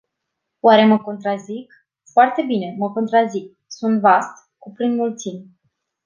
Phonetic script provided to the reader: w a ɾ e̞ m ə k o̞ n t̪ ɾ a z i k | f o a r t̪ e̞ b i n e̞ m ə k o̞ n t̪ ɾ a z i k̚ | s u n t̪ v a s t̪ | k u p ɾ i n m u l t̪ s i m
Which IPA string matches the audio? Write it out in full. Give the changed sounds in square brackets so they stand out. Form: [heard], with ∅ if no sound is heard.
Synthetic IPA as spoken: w a ɾ e̞ m ə k o̞ n t̪ ɾ a z i k | f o a r t̪ e̞ b i n e̞ m ə k o̞ n t̪ ɾ a z i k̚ | s u n t̪ v a s t̪ | k u p ɾ i n m u l t̪ s i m